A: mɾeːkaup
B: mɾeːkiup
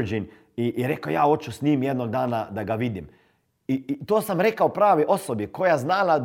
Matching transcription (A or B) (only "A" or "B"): A